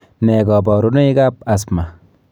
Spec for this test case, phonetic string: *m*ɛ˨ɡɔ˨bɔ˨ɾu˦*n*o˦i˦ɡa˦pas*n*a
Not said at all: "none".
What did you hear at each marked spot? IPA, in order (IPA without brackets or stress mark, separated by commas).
n, n, m